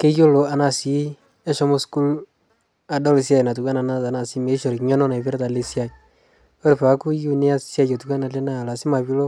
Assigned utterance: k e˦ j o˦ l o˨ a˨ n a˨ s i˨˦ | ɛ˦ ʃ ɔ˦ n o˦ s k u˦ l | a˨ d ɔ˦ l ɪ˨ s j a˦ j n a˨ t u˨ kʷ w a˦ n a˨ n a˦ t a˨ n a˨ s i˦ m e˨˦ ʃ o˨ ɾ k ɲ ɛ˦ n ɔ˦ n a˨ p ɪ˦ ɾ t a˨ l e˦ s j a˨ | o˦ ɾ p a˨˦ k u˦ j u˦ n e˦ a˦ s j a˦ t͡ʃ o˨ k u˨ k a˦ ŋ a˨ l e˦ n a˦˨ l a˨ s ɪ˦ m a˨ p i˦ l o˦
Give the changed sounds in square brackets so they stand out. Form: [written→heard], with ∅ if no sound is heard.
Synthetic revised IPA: k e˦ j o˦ l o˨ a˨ n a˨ s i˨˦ | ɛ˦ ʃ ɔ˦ [n→m] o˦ s k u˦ l | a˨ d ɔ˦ l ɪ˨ s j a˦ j n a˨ t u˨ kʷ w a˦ n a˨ n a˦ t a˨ n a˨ s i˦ m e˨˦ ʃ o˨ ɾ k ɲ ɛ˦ n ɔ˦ n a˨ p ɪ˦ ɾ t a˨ l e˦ s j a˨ | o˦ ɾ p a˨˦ k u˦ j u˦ n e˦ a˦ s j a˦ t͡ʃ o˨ [k→t] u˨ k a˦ [ŋ→n] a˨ l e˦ n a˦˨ l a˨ s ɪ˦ m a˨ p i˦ l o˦